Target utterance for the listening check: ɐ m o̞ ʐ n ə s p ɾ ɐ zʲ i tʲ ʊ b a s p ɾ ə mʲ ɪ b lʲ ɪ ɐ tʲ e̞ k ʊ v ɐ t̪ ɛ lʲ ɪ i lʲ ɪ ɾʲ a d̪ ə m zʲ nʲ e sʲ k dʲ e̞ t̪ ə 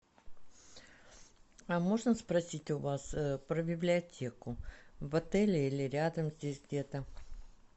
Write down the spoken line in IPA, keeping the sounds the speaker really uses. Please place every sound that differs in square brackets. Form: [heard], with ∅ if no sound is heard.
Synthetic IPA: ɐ m o̞ ʐ n ə s p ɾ ɐ [sʲ] i tʲ ʊ [v] a s p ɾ ə [bʲ] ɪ b lʲ ɪ ɐ tʲ e̞ k ʊ v ɐ t̪ ɛ lʲ ɪ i lʲ ɪ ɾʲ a d̪ ə m zʲ [dʲ] e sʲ [ɡ] dʲ e̞ t̪ ə